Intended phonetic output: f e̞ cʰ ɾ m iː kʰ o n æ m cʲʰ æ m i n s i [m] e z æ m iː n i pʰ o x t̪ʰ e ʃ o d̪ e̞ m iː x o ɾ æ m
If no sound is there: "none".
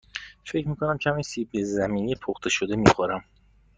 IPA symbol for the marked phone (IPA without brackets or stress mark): b